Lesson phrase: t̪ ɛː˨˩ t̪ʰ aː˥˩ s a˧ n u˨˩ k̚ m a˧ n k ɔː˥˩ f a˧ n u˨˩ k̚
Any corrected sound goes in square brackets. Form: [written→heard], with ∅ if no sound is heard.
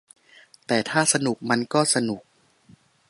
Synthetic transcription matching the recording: t̪ ɛː˨˩ t̪ʰ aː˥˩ s a˧ n u˨˩ k̚ m a˧ n k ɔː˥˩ [f→s] a˧ n u˨˩ k̚